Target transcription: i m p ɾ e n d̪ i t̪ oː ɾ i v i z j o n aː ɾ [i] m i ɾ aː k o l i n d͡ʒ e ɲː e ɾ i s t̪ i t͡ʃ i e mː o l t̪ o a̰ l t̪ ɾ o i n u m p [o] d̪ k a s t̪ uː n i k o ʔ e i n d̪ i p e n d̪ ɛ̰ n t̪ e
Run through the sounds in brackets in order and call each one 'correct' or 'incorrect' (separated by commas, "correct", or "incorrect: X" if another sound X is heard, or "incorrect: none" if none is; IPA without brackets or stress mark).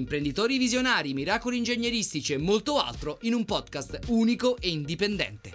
correct, incorrect: ɔ